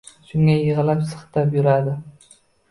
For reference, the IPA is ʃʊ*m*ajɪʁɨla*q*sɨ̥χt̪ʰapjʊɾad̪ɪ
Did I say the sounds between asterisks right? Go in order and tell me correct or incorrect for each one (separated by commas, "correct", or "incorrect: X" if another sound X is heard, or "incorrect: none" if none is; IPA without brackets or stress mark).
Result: incorrect: ŋ, incorrect: p